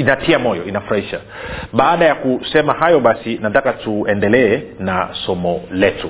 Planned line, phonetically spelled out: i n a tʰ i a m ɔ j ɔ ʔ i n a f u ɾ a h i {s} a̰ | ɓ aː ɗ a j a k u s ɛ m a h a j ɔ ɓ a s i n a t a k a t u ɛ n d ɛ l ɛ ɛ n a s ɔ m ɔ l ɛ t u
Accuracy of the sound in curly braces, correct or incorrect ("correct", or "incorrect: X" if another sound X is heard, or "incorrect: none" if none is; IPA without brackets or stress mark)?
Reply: incorrect: ʃ